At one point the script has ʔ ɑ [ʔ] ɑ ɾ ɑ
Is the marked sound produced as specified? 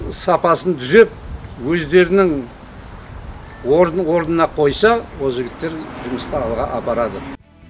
no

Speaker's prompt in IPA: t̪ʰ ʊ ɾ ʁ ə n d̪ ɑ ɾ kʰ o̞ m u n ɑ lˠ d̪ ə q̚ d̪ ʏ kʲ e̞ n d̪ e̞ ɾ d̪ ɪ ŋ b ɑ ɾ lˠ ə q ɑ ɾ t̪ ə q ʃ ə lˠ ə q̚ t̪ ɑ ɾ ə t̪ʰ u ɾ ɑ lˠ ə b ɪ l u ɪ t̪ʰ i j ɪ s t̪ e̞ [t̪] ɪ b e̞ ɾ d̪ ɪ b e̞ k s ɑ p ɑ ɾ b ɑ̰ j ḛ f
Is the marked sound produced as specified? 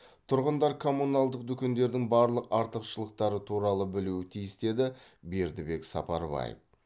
no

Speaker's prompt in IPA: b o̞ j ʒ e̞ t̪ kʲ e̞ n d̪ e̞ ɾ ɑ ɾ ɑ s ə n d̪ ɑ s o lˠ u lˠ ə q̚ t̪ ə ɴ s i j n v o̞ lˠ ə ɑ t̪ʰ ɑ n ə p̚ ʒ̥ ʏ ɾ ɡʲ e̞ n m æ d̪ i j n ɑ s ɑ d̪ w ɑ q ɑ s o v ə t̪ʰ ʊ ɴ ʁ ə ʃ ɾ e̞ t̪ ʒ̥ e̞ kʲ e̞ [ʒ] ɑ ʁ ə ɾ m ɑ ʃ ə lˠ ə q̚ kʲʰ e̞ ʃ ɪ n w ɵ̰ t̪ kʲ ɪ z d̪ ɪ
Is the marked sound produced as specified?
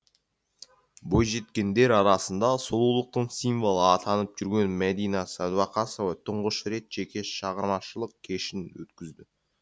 no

